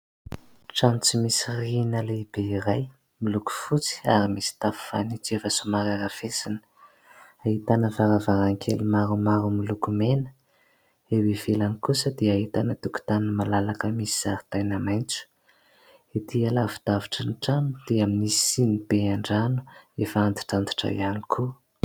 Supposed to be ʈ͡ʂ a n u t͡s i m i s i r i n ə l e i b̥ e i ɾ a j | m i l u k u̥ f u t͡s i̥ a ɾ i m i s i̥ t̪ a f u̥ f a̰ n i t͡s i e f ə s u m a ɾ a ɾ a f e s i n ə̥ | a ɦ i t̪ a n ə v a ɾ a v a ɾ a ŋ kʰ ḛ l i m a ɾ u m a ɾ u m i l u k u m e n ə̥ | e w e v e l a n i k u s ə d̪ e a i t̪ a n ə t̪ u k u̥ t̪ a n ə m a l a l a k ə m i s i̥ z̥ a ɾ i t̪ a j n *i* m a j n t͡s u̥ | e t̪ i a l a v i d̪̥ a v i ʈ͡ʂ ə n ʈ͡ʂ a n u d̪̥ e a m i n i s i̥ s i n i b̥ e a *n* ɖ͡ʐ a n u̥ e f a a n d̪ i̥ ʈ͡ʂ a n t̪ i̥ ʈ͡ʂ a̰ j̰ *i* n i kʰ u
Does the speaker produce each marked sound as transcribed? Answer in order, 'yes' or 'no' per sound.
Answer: no, no, no

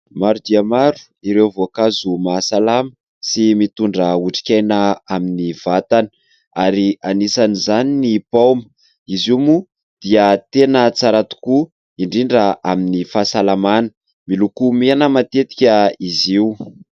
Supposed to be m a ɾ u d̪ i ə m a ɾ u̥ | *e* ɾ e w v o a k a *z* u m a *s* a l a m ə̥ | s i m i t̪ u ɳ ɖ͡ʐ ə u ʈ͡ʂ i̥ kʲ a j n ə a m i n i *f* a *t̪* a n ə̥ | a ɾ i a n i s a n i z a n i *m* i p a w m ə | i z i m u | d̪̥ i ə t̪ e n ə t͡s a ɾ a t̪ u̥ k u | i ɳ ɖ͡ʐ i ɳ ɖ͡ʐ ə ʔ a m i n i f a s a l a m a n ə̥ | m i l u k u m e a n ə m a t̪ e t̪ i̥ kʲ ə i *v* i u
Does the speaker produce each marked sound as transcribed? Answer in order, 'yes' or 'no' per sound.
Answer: no, yes, yes, no, yes, no, no

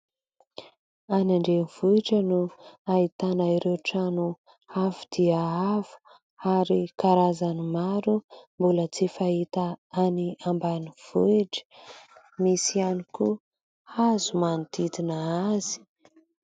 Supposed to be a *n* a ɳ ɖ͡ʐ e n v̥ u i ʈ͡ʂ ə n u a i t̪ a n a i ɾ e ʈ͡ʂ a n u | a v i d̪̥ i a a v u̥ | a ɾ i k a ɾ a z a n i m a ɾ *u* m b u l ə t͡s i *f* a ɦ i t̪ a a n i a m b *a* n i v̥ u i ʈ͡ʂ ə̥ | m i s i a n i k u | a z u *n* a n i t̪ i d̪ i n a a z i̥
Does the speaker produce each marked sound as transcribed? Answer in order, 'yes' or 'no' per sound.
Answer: yes, yes, yes, yes, no

